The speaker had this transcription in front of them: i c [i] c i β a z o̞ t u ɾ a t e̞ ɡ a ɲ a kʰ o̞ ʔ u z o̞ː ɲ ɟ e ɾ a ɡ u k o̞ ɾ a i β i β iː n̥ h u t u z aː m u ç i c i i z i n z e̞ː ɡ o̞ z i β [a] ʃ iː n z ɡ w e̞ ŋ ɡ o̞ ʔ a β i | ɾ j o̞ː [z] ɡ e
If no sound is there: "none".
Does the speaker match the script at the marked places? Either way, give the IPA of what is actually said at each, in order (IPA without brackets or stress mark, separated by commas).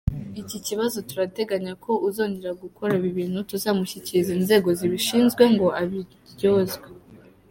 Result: i, i, z